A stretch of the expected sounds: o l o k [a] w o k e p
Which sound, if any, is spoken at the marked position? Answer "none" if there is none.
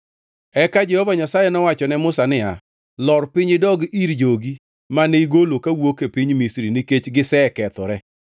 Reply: a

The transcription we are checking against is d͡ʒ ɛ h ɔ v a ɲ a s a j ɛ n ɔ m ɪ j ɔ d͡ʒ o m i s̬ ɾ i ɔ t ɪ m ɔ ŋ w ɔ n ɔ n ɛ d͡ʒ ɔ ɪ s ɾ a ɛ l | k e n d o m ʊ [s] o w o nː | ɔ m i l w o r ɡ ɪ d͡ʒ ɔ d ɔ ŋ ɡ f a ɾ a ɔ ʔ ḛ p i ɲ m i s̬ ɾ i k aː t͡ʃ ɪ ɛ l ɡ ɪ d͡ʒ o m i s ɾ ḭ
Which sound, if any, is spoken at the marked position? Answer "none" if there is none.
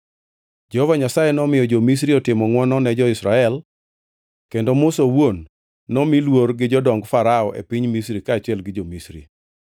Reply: s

